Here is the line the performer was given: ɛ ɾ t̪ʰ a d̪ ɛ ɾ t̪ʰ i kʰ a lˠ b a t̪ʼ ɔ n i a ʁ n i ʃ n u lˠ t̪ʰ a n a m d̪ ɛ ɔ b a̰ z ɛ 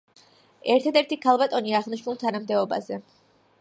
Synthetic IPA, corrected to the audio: ɛ ɾ t̪ʰ a d̪ ɛ ɾ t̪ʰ i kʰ a lˠ b a t̪ʼ ɔ n i a ʁ n i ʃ n u lˠ t̪ʰ a n a m d̪ ɛ ɔ b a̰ z ɛ